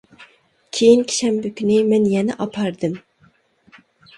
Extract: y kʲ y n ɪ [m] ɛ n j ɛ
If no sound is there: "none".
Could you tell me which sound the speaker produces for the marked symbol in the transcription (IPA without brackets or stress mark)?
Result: m